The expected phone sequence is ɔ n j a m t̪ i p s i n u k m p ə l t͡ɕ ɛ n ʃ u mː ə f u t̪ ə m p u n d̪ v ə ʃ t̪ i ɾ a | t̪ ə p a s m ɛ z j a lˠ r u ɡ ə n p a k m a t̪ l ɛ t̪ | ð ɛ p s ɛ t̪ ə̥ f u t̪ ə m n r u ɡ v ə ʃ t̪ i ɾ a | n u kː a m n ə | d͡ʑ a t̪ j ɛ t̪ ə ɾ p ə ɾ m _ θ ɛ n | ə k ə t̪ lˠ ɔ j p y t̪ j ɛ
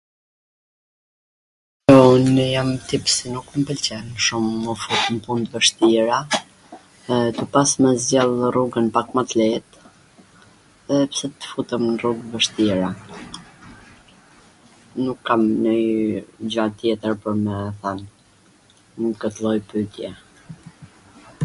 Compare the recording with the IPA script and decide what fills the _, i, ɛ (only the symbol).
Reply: ɛ